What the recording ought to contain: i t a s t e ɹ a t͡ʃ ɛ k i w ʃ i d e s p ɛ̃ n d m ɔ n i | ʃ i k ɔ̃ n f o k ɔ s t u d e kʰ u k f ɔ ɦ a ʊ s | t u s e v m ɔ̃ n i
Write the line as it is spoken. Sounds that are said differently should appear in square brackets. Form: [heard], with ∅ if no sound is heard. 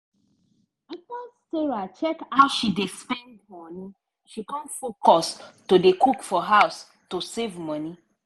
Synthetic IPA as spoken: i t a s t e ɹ a t͡ʃ ɛ k [a] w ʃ i d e s p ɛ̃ n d m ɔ n i | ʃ i k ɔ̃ n f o k ɔ s t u d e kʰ u k f ɔ ɦ a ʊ s | t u s e v m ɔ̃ n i

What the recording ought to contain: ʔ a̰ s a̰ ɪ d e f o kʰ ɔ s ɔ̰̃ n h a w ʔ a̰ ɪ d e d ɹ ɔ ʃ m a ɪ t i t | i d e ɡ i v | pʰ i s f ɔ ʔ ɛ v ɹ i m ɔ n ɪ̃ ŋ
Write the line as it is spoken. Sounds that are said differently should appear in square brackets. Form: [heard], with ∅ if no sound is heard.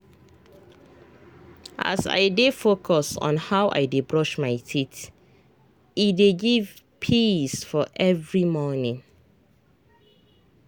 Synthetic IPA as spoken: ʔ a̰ s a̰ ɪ d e f o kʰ ɔ s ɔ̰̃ n h a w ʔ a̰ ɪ d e [b] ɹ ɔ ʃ m a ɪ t i t | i d e ɡ i v | pʰ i s f ɔ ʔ ɛ v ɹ i m ɔ n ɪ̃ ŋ

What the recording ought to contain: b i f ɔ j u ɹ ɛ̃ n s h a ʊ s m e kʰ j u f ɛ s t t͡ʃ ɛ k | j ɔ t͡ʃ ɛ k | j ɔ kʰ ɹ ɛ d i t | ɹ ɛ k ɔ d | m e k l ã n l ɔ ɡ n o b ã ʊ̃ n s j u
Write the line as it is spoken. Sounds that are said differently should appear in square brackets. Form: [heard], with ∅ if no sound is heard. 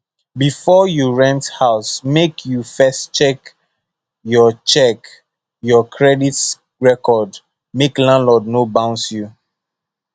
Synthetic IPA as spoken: b i f ɔ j u ɹ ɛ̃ n [t] h a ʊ s m e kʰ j u f ɛ s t t͡ʃ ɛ k | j ɔ t͡ʃ ɛ k | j ɔ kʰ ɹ ɛ d i t | ɹ ɛ k ɔ d | m e k l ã n l ɔ [d] n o b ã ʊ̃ n s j u

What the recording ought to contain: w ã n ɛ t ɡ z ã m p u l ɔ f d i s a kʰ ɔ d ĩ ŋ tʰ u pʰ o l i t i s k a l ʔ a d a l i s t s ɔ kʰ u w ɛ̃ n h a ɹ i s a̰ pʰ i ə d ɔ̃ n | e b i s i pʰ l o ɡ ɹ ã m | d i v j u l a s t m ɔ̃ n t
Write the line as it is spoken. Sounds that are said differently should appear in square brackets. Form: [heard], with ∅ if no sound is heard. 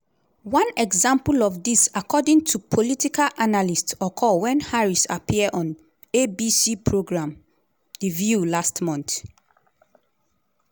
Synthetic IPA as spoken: w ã n ɛ [∅] ɡ z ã m p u l ɔ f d i s a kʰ ɔ d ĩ ŋ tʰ u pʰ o l i t i [∅] k a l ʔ a [n] a l i s t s ɔ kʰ [ɔ] w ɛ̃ n h a ɹ i s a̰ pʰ i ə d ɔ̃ n | e b i s i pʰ [ɹ] o ɡ ɹ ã m | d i v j u l a s t m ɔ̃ n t

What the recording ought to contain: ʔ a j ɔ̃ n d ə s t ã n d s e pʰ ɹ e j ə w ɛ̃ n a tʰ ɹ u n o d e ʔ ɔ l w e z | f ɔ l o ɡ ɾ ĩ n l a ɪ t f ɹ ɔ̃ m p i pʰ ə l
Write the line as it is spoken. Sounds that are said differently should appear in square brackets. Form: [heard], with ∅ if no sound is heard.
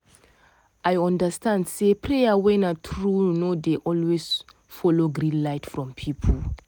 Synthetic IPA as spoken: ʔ a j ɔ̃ n d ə s t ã n d s e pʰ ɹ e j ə w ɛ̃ n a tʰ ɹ u n o d e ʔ ɔ l w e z | f ɔ l o ɡ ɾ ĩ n l a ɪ t f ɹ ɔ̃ m [pʰ] i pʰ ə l

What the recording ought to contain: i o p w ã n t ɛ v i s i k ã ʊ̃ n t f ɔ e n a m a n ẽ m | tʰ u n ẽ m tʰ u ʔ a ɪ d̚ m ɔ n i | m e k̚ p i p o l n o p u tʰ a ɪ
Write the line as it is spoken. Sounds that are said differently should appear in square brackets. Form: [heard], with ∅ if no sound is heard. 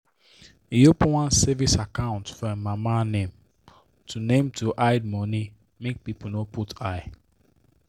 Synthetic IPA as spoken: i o p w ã n [s] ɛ v i s [a] k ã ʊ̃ n t f ɔ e [m] a m a n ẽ m | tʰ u n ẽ m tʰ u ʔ a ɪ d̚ m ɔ n i | m e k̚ p i p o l n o p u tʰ a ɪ

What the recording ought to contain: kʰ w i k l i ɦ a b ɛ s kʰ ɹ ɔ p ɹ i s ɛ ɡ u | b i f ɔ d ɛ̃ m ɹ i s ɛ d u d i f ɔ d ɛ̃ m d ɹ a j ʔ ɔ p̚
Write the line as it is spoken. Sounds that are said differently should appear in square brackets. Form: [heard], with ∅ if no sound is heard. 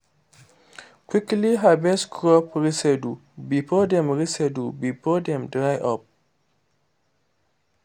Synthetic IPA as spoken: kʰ w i k l i ɦ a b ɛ s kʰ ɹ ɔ p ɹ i s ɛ [d] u | b i f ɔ d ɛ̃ m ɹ i s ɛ d u [b] i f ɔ d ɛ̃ m d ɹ a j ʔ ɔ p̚

